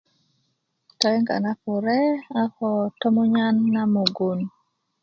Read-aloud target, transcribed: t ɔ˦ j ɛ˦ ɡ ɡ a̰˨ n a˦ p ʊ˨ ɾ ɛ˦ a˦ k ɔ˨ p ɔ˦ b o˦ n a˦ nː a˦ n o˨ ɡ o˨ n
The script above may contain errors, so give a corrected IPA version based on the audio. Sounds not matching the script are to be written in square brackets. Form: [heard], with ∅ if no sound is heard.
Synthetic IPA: t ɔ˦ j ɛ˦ [ŋ] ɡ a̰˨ n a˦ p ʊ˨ ɾ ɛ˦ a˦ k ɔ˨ [t] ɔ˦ [m] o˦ [ɲ] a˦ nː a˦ [m] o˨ ɡ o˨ n